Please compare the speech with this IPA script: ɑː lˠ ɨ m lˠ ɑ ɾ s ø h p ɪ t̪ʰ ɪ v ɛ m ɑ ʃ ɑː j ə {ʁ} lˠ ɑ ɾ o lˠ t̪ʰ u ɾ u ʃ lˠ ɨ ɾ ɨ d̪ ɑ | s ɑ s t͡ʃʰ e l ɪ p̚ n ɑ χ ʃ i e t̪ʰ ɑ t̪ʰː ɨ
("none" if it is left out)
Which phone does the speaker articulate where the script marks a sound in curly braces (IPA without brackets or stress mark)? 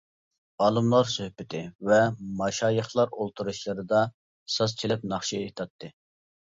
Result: χ